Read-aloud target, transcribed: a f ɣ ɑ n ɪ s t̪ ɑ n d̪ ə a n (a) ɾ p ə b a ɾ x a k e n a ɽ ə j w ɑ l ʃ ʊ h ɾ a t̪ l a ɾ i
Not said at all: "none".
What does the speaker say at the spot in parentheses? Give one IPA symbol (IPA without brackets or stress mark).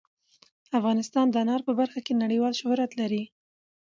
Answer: ɑ